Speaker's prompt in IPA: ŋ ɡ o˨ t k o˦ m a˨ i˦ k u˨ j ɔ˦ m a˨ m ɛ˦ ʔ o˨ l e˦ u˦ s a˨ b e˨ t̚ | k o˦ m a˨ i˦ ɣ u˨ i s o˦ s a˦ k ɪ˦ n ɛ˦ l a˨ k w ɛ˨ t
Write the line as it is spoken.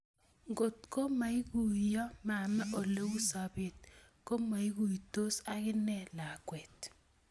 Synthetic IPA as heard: ŋ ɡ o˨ t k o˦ m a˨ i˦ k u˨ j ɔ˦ m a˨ m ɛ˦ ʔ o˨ l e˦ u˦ s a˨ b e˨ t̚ | k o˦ m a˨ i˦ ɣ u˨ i t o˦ s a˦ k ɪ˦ n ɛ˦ l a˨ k w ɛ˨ t